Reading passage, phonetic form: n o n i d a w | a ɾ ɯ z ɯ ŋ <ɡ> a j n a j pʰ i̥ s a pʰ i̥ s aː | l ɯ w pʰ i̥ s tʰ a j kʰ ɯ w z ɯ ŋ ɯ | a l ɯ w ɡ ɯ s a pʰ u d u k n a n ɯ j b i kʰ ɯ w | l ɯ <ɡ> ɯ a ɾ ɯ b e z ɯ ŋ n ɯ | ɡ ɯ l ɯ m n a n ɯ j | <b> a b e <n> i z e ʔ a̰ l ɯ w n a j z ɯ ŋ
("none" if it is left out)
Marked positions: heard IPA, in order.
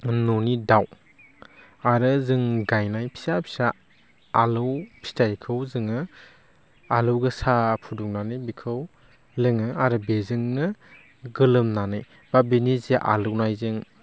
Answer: ɡ, ŋ, b, n

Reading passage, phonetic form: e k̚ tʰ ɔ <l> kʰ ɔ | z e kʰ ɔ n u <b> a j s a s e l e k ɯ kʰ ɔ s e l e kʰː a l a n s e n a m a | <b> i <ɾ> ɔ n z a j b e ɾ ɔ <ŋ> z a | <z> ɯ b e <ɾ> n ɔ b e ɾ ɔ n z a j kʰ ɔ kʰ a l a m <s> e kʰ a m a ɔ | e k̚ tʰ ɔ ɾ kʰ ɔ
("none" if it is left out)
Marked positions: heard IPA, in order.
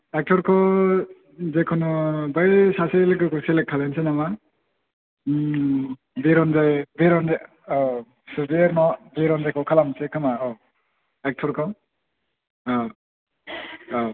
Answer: ɾ, b, b, ɾ, n, s, ɾ, s

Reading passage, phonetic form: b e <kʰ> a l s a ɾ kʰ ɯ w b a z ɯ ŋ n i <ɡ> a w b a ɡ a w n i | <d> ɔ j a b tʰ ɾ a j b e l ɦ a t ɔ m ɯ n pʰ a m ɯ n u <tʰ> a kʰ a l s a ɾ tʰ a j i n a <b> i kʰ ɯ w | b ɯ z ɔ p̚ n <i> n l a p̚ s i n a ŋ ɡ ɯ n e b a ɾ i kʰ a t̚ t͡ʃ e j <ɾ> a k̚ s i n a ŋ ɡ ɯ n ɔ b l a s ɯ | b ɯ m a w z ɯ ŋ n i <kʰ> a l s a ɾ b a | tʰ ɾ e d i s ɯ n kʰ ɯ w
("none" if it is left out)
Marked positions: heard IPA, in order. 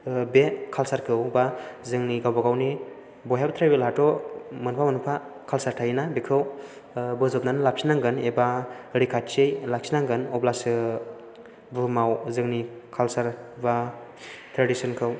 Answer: kʰ, ɡ, b, pʰ, b, a, l, kʰ

